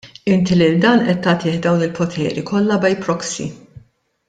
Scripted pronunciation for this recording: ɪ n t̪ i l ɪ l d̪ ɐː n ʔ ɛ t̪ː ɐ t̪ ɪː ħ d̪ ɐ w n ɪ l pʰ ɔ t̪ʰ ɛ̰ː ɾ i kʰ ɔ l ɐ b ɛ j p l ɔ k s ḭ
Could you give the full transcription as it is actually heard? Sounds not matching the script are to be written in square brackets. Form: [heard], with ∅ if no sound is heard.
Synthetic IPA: ɪ n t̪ i l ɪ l d̪ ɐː n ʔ ɛ t̪ː ɐ t̪ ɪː ħ d̪ ɐ w n ɪ l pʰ ɔ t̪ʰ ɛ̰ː ɾ i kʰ ɔ [lː] ɐ b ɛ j p [ɾ] ɔ k s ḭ